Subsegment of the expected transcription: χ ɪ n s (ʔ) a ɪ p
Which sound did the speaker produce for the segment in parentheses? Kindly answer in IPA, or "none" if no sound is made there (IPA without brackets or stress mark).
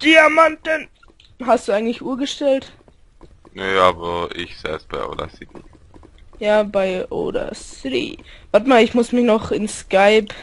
k